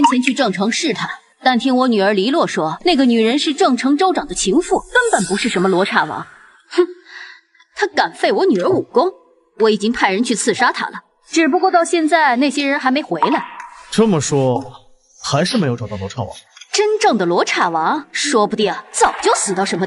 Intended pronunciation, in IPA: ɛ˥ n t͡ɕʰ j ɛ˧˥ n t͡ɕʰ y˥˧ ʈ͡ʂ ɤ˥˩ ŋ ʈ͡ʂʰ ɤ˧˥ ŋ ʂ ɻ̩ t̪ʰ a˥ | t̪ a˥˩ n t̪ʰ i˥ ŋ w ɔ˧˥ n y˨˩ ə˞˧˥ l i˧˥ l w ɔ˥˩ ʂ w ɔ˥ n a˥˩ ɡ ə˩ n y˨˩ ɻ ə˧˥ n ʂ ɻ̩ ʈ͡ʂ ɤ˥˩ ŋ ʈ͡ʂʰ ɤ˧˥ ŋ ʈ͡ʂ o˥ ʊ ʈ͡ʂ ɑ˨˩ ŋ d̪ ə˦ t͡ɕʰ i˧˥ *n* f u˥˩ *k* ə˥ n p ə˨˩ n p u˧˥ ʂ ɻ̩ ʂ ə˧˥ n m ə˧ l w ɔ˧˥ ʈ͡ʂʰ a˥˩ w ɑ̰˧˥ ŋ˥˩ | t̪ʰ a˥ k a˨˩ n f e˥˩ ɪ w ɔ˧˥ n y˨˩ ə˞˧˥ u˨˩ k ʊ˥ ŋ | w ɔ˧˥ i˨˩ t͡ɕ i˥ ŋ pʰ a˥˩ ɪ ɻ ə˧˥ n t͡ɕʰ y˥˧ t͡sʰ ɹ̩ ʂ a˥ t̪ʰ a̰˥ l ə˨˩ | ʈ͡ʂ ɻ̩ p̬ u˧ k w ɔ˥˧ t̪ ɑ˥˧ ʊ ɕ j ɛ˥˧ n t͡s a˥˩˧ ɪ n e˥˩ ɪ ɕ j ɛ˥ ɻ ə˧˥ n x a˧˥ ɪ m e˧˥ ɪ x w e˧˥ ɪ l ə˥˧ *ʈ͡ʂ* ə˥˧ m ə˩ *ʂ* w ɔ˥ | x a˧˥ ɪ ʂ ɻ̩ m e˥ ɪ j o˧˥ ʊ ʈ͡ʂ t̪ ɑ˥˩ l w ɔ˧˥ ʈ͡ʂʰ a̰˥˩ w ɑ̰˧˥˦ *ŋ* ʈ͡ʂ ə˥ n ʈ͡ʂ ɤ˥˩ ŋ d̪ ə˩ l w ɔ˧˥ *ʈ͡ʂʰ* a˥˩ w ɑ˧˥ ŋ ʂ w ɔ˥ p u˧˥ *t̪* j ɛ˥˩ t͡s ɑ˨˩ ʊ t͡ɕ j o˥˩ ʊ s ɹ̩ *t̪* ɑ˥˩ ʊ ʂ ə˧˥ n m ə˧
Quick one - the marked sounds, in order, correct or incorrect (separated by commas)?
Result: incorrect, correct, correct, correct, correct, correct, correct, correct